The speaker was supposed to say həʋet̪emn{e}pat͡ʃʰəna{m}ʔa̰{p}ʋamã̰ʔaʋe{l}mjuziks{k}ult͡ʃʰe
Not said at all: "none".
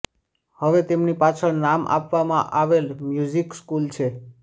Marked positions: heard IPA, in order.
i, m, p, l, k

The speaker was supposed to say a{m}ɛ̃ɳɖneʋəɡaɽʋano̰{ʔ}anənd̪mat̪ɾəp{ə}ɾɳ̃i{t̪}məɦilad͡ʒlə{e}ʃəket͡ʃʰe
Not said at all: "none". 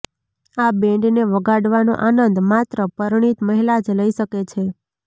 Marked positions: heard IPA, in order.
b, ʔ, ə, t̪, i

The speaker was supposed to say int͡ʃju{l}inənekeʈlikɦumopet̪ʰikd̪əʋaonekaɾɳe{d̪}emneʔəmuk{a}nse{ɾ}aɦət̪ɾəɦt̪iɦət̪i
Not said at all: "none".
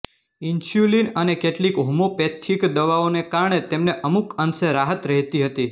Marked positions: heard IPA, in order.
l, t̪, ə, ɾ

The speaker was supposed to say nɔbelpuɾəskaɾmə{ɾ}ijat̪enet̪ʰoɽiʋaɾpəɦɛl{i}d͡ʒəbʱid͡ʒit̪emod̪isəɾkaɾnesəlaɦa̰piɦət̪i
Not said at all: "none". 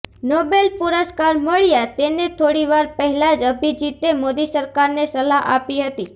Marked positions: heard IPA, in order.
ɭ, a

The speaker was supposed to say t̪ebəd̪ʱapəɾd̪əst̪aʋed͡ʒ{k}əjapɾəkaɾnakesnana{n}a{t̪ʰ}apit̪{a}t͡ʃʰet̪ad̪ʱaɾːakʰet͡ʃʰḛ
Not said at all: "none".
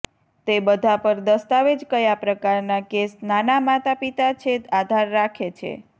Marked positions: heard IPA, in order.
k, m, t̪, a

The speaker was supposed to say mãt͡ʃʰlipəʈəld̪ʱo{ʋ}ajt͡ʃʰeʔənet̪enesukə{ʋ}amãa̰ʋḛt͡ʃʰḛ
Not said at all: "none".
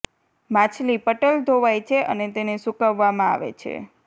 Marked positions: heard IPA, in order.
ʋ, ʋː

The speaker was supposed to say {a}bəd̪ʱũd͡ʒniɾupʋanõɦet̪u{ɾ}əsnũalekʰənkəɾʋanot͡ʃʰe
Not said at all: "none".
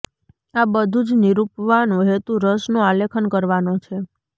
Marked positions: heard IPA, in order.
a, ɾ

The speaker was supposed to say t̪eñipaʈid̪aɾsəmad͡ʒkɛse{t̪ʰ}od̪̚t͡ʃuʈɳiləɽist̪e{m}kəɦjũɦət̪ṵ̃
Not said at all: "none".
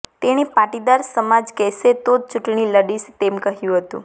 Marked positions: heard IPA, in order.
t̪, m

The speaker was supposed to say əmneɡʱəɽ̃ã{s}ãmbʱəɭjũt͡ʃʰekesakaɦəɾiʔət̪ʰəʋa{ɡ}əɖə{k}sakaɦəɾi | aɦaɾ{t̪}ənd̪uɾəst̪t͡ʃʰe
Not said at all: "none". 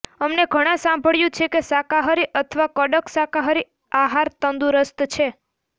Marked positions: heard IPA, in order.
s, k, k, t̪

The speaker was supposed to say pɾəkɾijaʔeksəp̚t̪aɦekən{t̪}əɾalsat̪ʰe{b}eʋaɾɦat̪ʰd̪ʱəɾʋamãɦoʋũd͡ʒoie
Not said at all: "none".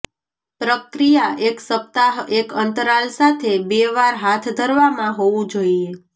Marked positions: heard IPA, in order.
t̪, b

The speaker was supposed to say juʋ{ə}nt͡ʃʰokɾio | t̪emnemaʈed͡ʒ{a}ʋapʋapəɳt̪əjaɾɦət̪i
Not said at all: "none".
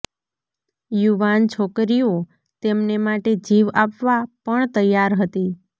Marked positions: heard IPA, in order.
a, i

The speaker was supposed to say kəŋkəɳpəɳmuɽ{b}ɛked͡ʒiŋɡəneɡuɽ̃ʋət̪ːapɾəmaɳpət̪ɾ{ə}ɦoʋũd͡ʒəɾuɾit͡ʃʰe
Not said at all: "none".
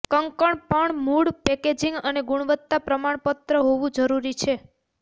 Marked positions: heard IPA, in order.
p, ə

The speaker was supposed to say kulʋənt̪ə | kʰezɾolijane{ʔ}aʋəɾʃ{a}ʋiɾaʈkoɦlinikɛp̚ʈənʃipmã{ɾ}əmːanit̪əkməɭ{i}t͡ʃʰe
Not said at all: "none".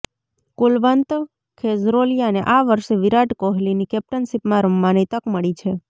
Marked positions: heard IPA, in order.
ʔ, e, ɾ, i

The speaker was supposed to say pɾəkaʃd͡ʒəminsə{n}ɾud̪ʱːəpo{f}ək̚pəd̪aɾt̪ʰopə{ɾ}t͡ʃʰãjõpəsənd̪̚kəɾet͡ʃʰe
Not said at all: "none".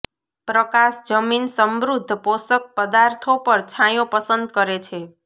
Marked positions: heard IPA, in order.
m, s, ɾ

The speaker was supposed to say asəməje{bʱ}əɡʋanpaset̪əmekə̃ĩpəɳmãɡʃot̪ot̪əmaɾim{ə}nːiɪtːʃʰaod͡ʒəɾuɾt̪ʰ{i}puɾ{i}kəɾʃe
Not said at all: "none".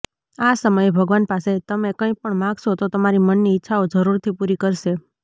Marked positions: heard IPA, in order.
bʱ, ə, i, i

